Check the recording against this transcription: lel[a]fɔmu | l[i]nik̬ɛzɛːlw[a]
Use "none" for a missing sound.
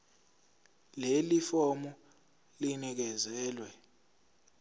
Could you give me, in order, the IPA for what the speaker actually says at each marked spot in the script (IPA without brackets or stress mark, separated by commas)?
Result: i, i, ɛ